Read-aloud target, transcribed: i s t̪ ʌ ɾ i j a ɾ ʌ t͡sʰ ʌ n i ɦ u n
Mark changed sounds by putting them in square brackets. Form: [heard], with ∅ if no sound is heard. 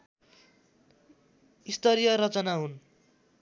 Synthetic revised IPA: i s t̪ ʌ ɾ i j [ʌ] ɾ ʌ [t͡s] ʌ n [a] ɦ u n

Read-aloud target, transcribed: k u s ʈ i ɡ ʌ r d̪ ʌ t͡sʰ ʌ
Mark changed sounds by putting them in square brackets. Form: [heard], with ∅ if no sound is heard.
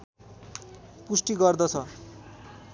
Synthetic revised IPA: [p] u s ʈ i ɡ ʌ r d̪ ʌ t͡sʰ ʌ

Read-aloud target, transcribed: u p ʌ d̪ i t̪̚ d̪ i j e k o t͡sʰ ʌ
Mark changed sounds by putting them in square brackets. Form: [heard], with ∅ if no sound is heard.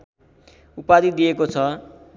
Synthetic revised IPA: u p [a] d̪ i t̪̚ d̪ i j e k o t͡sʰ ʌ

